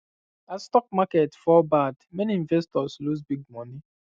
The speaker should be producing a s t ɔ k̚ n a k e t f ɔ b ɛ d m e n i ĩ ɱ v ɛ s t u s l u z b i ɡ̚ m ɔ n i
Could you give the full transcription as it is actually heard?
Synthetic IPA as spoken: a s t ɔ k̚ m a k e t f ɔ b a d m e n i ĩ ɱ v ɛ s t ɔ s l u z b i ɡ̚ m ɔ n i